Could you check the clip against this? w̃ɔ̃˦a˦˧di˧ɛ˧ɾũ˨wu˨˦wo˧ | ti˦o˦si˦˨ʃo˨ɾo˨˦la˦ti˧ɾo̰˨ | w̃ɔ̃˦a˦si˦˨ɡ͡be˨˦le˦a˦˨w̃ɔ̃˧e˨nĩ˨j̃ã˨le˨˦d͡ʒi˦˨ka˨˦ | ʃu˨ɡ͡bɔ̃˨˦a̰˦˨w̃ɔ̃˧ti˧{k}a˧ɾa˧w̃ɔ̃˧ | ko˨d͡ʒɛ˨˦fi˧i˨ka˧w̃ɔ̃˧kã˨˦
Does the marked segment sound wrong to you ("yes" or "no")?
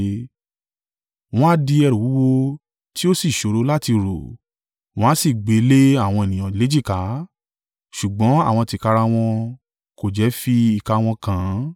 no